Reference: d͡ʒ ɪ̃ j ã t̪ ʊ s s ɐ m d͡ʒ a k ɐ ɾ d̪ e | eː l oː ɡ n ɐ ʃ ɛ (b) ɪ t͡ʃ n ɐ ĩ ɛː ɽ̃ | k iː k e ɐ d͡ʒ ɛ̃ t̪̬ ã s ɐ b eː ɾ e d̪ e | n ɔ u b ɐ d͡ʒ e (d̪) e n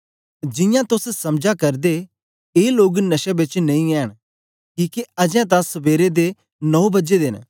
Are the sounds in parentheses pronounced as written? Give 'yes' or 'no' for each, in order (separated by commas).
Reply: yes, yes